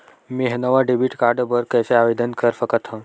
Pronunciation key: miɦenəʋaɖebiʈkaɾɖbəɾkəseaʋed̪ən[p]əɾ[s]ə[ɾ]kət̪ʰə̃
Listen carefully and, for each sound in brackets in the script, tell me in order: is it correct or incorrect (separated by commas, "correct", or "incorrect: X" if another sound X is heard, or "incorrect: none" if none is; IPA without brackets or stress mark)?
incorrect: k, incorrect: f, incorrect: none